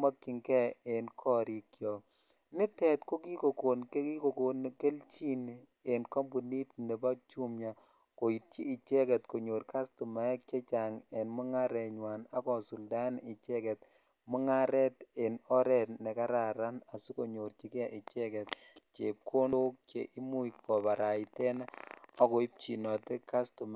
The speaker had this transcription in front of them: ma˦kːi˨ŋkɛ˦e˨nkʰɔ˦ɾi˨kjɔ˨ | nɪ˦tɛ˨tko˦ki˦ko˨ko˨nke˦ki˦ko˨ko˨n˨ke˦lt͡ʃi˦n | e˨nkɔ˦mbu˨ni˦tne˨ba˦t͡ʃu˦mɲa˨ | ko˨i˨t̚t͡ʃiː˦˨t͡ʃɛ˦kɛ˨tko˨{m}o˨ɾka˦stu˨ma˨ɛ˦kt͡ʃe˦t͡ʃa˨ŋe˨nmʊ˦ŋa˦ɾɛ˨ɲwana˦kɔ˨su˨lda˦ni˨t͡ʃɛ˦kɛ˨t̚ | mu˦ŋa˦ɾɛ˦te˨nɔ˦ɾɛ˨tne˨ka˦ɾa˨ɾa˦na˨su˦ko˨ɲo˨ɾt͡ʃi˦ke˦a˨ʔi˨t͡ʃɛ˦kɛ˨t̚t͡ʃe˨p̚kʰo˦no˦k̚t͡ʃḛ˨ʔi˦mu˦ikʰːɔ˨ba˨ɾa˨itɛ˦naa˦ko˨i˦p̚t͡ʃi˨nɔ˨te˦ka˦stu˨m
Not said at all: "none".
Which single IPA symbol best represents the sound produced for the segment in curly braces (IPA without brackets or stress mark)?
ɲ